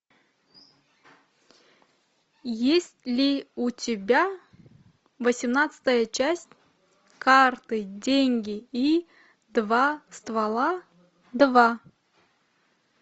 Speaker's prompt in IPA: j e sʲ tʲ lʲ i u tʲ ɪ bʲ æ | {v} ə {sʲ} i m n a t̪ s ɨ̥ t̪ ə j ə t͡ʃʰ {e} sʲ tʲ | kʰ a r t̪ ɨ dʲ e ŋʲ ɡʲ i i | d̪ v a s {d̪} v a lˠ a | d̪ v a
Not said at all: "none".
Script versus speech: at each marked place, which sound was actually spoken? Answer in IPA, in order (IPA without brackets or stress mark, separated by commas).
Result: v, sʲ, æ, t̪